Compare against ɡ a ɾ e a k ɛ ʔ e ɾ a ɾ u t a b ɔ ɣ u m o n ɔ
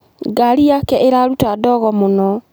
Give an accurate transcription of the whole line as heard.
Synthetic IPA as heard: ɡ a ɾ i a k ɛ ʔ e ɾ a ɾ u t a d ɔ ɣ ɔ m o n ɔ